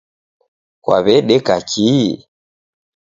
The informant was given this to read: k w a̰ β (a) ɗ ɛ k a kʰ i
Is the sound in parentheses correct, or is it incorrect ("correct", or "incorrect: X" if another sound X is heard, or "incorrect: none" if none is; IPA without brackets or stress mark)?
incorrect: ɛ